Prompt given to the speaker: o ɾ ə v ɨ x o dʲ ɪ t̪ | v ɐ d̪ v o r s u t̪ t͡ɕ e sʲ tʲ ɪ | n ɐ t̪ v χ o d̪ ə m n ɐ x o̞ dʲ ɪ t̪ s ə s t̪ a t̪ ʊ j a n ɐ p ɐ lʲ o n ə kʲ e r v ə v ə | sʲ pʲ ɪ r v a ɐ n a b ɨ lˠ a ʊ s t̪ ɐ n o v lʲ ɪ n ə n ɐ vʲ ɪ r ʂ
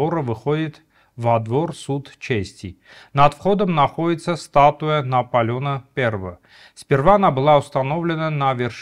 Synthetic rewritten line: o ɾ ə v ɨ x o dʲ ɪ t̪ | v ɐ d̪ v o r s u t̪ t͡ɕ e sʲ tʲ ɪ | n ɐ t̪ f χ o d̪ ə m n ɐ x o̞ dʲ ɪ t̪ s ə s t̪ a t̪ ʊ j ə n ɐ p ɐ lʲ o n ə pʲ e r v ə v ə | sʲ pʲ ɪ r v a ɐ n a b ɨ lˠ a ʊ s t̪ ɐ n o v lʲ ɪ n ə n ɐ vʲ ɪ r ʂ